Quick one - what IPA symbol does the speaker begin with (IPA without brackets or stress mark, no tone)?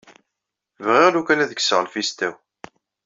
v